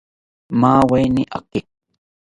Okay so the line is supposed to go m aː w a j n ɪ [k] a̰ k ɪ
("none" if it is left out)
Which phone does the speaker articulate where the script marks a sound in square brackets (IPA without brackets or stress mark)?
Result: ʔ